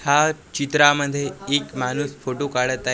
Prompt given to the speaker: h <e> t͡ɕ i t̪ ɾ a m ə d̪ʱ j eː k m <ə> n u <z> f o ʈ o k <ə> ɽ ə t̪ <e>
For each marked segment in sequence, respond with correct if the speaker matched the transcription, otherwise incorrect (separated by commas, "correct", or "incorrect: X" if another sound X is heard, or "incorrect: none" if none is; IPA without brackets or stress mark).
incorrect: a, incorrect: a, incorrect: s, incorrect: a, incorrect: a